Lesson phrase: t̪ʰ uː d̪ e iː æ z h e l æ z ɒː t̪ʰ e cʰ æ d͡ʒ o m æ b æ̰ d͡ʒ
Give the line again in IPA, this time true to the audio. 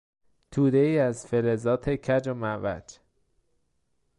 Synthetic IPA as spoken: t̪ʰ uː d̪ e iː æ z f e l e z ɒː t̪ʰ e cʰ æ d͡ʒ o m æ v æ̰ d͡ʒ